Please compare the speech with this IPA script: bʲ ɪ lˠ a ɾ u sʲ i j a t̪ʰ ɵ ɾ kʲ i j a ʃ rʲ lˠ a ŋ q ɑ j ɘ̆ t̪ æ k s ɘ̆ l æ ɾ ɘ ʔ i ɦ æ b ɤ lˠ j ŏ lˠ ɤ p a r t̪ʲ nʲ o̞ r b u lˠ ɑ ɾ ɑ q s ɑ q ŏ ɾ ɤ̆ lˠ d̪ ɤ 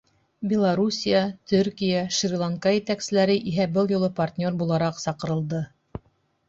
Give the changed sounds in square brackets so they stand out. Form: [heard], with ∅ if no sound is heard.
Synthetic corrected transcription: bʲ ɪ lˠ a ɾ u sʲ i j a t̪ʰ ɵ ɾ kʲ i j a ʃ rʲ lˠ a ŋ [k] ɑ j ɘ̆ t̪ æ k s ɘ̆ l æ ɾ ɘ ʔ i ɦ æ b ɤ lˠ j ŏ lˠ ɤ p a r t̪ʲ nʲ o̞ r b u lˠ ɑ ɾ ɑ q s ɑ q [ɤ̆] ɾ ɤ̆ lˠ d̪ ɤ